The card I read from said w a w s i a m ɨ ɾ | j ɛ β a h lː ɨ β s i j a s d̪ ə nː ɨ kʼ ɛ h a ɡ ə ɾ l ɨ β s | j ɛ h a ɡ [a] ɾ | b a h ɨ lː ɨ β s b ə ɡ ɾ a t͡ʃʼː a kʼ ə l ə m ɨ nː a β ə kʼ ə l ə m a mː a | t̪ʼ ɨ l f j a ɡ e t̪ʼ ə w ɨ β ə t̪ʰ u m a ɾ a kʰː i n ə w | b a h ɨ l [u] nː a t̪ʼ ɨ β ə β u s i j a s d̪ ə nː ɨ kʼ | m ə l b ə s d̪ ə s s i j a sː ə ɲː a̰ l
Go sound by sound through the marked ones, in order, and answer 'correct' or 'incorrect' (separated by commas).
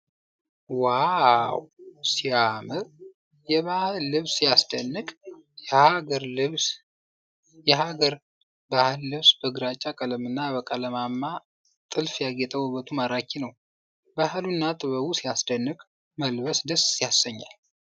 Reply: incorrect, correct